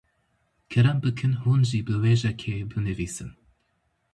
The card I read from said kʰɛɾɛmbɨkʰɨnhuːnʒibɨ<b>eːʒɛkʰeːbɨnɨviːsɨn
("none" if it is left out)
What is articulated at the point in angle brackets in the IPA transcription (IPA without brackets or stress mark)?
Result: w